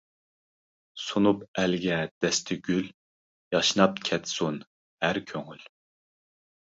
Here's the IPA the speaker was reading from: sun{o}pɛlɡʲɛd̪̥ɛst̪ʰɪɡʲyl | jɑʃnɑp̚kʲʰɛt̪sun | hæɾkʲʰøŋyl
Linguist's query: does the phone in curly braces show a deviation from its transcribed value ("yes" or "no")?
yes